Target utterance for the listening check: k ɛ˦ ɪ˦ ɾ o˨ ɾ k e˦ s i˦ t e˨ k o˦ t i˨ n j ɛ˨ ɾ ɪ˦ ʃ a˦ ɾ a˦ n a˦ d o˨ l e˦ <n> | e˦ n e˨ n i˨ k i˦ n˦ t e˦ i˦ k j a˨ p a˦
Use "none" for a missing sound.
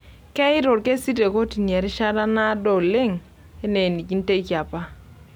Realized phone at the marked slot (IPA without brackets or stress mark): ŋ